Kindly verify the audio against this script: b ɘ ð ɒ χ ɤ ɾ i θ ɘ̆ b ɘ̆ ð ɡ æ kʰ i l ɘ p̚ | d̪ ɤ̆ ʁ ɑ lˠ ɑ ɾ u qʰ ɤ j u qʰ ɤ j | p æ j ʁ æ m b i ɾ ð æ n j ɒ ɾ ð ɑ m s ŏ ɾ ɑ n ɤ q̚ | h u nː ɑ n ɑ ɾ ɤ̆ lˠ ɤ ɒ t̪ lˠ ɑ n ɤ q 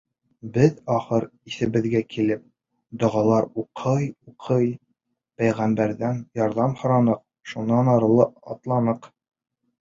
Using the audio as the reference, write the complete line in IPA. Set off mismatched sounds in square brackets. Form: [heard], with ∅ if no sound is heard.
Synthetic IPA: b ɘ ð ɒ χ ɤ ɾ i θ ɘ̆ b ɘ̆ ð ɡ æ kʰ i l ɘ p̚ | d̪ [ŏ] ʁ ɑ lˠ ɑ ɾ u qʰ ɤ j u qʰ ɤ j | p æ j ʁ æ m b [æ] ɾ ð æ n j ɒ ɾ ð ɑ m [h] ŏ ɾ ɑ n ɤ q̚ | [ʃ] u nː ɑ n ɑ ɾ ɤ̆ lˠ ɤ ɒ t̪ lˠ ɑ n ɤ q